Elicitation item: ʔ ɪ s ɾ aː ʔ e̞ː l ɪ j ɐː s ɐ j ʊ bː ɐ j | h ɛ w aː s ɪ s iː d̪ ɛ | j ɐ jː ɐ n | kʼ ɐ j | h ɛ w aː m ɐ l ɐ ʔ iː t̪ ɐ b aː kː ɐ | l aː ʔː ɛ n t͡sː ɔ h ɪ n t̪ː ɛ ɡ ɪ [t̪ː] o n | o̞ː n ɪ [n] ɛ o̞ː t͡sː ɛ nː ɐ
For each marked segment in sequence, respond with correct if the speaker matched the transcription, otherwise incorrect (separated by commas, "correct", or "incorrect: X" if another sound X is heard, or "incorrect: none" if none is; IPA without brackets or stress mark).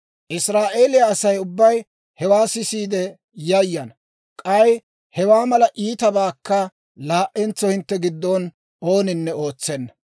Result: incorrect: d̪ː, incorrect: nː